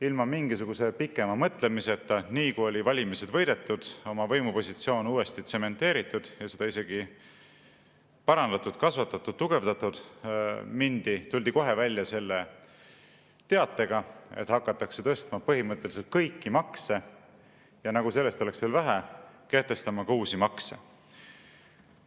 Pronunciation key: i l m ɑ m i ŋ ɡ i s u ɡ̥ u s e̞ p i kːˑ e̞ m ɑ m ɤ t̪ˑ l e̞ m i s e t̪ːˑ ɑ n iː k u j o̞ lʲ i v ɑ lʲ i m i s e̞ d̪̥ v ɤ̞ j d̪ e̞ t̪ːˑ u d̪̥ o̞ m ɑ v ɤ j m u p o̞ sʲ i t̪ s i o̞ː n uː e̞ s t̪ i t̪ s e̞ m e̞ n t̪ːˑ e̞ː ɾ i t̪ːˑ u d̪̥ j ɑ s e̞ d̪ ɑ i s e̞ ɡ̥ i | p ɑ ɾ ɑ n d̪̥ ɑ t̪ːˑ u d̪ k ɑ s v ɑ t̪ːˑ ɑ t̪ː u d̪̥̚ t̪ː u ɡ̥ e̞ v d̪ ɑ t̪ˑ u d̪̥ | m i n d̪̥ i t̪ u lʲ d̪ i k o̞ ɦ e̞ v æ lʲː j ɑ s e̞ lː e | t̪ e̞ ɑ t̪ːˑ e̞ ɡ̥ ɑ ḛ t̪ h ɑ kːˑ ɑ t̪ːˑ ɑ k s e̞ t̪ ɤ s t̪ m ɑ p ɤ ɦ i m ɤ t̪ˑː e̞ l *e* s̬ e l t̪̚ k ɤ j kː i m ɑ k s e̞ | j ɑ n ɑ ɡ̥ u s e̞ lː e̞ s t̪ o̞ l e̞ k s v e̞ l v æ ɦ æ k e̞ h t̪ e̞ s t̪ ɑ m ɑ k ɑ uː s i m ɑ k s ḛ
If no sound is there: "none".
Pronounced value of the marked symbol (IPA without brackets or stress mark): i